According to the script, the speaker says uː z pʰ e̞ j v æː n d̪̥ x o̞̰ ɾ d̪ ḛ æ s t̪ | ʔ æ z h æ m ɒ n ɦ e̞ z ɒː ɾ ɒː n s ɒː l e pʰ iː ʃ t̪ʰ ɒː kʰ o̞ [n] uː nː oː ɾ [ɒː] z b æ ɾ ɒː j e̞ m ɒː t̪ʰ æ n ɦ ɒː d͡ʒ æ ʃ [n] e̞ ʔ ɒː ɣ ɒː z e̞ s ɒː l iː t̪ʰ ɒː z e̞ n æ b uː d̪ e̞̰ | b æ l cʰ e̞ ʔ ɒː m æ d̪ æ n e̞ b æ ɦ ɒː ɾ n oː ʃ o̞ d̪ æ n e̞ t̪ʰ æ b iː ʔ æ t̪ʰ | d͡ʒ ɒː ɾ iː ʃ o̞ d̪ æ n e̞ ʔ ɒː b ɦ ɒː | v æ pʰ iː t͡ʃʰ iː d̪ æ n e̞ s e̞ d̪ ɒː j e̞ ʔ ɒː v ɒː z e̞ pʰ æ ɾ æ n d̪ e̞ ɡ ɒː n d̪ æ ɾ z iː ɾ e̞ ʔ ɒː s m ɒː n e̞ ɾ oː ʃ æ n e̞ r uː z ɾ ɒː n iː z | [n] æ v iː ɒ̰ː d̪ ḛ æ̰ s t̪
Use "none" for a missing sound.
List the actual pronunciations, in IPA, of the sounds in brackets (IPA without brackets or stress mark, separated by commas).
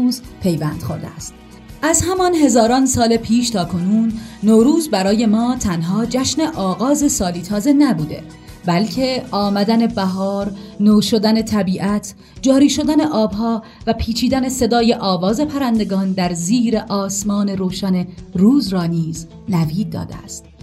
n, uː, n, n